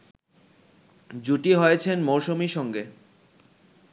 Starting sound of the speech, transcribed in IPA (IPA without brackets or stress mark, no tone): d͡ʑ